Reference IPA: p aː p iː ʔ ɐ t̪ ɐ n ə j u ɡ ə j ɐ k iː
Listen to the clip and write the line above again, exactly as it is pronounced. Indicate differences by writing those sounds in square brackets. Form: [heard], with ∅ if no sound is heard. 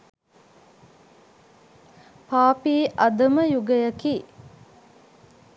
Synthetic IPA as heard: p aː p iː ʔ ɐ [d̪] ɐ [m] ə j u ɡ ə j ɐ k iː